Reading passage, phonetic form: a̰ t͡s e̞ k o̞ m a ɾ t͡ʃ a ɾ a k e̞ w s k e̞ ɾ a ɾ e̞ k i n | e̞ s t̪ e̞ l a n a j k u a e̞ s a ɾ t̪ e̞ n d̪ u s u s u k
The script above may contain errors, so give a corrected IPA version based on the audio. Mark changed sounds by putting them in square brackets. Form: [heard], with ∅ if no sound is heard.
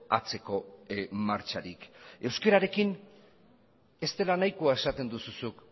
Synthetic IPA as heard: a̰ t͡s e̞ k o̞ m a ɾ t͡ʃ a ɾ [i] k e̞ w s k e̞ ɾ a ɾ e̞ k i n | e̞ s t̪ e̞ l a n a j k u a e̞ s a [∅] t̪ e̞ n d̪ u s u s u k